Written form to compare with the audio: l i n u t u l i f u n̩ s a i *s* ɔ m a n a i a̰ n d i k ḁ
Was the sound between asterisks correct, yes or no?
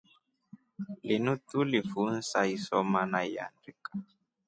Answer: yes